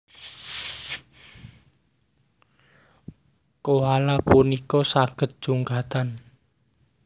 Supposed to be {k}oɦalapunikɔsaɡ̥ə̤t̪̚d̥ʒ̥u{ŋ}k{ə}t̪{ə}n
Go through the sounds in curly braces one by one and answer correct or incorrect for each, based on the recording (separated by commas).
correct, correct, incorrect, incorrect